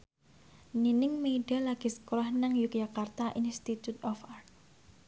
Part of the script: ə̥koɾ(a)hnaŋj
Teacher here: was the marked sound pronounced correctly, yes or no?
yes